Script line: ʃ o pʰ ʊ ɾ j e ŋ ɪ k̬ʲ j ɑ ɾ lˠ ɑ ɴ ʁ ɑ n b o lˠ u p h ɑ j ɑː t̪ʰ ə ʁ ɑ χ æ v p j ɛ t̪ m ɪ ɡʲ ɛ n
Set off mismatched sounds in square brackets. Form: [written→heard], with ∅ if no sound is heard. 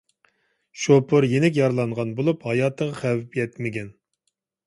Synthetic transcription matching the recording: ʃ o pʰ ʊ ɾ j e [ŋ→n] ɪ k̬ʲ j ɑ ɾ lˠ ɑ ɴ ʁ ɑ n b o lˠ u p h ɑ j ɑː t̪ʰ ə ʁ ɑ χ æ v p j ɛ t̪ m ɪ ɡʲ ɛ n

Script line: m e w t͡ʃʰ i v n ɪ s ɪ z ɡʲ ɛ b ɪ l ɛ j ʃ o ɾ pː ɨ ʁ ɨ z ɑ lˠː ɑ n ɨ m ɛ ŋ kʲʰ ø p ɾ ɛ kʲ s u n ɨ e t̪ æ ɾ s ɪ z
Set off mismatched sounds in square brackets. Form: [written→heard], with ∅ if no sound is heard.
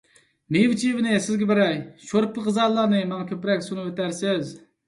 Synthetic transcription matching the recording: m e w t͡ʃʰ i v n ɪ s ɪ z ɡʲ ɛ b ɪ [l→ɾ] ɛ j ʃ o ɾ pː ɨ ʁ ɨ z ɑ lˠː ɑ n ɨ m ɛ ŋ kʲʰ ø p ɾ ɛ kʲ s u n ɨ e t̪ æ ɾ s ɪ z

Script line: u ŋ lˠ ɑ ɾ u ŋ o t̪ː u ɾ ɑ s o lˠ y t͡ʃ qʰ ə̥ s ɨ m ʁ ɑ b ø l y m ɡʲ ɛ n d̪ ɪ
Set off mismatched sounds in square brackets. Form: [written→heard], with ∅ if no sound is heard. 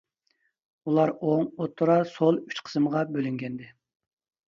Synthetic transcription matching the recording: u [ŋ→∅] lˠ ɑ ɾ [u→o] ŋ o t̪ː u ɾ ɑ s o lˠ y t͡ʃ qʰ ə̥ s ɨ m ʁ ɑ b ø l y [m→ŋ] ɡʲ ɛ n d̪ ɪ

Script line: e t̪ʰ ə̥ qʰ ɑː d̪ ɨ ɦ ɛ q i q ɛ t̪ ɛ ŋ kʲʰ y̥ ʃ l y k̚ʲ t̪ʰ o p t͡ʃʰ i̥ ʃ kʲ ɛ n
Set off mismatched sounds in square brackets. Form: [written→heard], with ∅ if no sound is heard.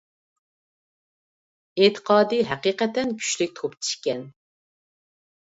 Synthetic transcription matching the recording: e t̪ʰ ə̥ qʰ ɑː d̪ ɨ ɦ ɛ q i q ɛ t̪ ɛ [ŋ→n] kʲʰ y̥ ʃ l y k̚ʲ t̪ʰ o p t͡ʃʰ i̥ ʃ kʲ ɛ n

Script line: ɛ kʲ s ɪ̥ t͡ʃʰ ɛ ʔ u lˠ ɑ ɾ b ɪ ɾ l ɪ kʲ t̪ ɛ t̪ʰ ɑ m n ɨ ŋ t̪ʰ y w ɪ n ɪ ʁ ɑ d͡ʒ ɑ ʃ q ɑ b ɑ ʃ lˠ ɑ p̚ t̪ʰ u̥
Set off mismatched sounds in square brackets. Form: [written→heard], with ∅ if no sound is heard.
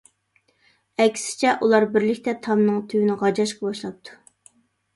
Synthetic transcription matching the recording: ɛ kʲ s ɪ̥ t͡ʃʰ ɛ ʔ u lˠ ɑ ɾ b ɪ ɾ l ɪ kʲ t̪ ɛ t̪ʰ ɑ m n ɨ ŋ t̪ʰ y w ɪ n ɪ ʁ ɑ d͡ʒ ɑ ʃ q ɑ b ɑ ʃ lˠ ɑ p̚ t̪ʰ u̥

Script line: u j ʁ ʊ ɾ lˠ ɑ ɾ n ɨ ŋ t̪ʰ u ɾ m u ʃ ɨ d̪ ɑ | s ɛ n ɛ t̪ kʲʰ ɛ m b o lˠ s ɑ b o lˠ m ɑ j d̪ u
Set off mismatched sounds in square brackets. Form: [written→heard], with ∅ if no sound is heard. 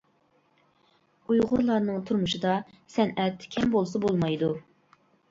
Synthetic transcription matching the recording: u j ʁ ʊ ɾ lˠ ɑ ɾ n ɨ ŋ t̪ʰ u ɾ m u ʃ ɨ d̪ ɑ | s ɛ n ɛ t̪ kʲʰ ɛ m b o lˠ s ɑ b o lˠ m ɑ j d̪ u

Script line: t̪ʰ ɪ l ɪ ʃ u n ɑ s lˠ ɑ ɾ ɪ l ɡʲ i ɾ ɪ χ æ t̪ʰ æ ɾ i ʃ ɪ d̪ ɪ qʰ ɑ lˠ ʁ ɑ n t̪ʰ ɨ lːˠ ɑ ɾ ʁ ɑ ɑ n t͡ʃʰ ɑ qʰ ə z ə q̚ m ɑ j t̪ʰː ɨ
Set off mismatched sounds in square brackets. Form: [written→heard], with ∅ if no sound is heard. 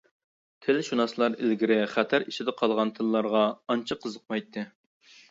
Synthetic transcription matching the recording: t̪ʰ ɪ l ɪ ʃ u n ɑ s lˠ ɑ ɾ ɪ l ɡʲ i ɾ ɪ χ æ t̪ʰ æ ɾ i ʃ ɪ d̪ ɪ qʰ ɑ lˠ ʁ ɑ n t̪ʰ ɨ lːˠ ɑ ɾ ʁ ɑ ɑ n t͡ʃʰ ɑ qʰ ə z ə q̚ m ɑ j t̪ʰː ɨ

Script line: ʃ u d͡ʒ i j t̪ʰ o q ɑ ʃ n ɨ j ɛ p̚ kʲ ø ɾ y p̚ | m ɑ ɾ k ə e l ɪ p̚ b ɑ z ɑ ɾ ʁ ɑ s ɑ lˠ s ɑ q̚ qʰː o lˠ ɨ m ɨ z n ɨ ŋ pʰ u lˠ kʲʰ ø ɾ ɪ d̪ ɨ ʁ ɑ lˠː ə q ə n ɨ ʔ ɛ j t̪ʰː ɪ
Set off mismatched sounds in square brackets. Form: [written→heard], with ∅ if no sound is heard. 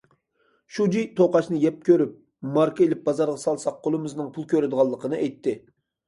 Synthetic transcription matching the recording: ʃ u d͡ʒ i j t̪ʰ o q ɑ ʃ n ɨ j ɛ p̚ kʲ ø ɾ y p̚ | m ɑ ɾ k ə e l ɪ p̚ b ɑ z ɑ ɾ ʁ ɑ s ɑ lˠ s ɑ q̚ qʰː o lˠ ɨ m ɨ z n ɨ ŋ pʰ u lˠ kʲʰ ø ɾ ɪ d̪ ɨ ʁ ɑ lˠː ə q ə n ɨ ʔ ɛ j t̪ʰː ɪ

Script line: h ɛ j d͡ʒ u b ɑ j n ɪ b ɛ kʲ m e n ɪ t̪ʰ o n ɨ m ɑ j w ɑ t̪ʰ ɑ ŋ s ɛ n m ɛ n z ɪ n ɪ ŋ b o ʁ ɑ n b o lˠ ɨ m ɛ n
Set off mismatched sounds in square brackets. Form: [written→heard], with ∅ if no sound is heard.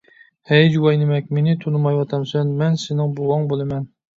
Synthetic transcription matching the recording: h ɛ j d͡ʒ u [b→w] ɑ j n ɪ [b→m] ɛ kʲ m e n ɪ t̪ʰ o n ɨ m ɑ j w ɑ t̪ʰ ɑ [ŋ→m] s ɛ n m ɛ n [z→s] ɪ n ɪ ŋ b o ʁ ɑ [n→ŋ] b o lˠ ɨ m ɛ n

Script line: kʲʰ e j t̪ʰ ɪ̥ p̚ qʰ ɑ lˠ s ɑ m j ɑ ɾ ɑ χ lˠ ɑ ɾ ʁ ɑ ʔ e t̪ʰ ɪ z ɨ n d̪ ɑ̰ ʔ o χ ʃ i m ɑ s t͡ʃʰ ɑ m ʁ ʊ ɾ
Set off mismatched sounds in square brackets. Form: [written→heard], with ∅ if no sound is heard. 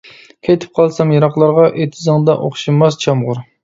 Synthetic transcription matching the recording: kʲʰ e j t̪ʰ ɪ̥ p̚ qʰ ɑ lˠ s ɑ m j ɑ ɾ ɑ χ lˠ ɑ ɾ ʁ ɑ ʔ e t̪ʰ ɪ z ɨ [n→ŋ] d̪ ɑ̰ ʔ o χ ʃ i m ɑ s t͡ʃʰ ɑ m ʁ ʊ ɾ

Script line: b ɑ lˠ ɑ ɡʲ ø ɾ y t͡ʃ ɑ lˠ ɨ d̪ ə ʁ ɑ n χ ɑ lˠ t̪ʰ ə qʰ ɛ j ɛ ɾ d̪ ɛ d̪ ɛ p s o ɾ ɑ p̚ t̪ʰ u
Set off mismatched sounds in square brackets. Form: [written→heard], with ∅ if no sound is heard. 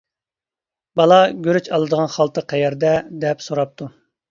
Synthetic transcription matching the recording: b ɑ lˠ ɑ ɡʲ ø ɾ y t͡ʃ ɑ lˠ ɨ d̪ ə ʁ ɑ n χ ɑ lˠ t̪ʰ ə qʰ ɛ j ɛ ɾ d̪ ɛ d̪ ɛ p s o ɾ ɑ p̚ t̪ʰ u

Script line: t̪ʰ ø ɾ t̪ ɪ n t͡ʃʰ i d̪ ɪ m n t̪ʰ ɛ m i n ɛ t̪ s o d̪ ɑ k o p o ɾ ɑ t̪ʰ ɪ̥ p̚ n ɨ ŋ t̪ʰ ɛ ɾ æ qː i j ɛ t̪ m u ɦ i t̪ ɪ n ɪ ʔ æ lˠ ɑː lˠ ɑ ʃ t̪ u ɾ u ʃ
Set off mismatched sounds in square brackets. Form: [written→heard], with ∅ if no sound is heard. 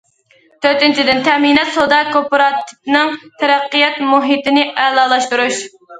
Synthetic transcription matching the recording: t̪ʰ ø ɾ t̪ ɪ n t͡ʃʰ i d̪ ɪ [m→∅] n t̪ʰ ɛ m i n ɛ t̪ s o d̪ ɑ k o p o ɾ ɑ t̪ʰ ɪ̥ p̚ n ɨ ŋ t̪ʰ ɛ ɾ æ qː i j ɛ t̪ m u ɦ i t̪ ɪ n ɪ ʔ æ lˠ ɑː lˠ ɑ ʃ t̪ u ɾ u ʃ

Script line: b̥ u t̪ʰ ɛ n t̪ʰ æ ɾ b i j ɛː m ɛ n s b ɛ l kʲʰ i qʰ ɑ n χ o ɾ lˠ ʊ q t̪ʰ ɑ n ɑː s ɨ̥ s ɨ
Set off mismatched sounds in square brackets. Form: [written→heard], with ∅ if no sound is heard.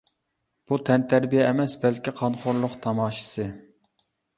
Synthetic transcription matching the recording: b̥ u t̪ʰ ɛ n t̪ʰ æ ɾ b i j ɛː m ɛ [n→∅] s b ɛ l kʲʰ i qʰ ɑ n χ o ɾ lˠ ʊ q t̪ʰ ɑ [n→m] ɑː [s→ʃ] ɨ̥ s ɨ

